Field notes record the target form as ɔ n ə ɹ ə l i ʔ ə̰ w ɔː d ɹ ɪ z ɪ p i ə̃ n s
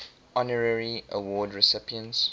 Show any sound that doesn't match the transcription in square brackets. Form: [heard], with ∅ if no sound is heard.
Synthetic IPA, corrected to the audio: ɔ n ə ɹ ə [ɹ] i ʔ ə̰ w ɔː d ɹ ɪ [s] ɪ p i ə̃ n s